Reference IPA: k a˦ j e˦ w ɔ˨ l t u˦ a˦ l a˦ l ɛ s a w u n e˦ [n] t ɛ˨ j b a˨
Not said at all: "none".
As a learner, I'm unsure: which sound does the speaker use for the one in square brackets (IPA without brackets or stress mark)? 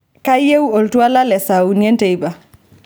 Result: n